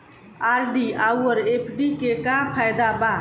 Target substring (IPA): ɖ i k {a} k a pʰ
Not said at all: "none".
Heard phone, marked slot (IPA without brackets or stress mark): e